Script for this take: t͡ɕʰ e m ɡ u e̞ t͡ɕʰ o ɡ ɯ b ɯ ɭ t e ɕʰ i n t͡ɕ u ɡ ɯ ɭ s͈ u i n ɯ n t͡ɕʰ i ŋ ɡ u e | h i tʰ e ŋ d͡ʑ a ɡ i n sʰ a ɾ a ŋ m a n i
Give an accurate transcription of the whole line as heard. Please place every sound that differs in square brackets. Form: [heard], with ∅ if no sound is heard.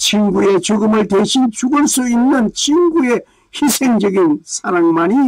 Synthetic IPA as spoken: t͡ɕʰ [i] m ɡ u e̞ [t͡ɕ] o ɡ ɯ [m] ɯ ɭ t e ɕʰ i n t͡ɕ u ɡ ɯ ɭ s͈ u i [nː] ɯ n t͡ɕʰ i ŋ ɡ u e | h i [sʰ] e ŋ d͡ʑ [ʌ] ɡ i n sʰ a ɾ a ŋ m a n i